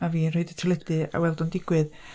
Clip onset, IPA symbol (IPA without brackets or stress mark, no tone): a